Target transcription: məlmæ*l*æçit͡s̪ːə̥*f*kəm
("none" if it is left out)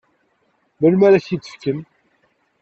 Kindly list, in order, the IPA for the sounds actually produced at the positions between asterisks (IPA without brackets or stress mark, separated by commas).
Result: ɾ, f